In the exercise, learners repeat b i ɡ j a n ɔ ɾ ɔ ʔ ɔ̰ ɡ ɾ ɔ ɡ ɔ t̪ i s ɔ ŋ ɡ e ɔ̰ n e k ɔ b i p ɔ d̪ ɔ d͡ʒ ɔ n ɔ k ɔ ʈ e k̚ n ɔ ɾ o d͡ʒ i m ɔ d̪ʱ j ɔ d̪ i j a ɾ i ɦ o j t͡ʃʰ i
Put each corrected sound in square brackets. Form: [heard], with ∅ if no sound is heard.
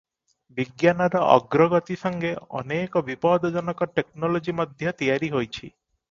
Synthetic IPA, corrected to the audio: b i ɡ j a n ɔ ɾ ɔ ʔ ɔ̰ ɡ ɾ ɔ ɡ ɔ t̪ i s ɔ ŋ ɡ e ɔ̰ n e k ɔ b i p ɔ d̪ ɔ d͡ʒ ɔ n ɔ k ɔ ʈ e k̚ n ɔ [l] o d͡ʒ i m ɔ d̪ʱ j ɔ [t̪] i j a ɾ i ɦ o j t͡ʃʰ i